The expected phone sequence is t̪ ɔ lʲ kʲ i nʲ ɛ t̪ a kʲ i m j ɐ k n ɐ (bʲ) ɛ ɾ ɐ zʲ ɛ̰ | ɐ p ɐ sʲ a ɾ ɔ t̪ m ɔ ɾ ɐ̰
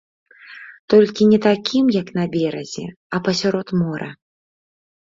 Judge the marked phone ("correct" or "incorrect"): correct